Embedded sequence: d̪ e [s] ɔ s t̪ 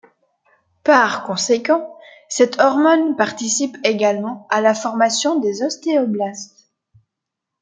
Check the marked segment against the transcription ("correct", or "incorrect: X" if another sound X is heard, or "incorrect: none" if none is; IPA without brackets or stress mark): incorrect: z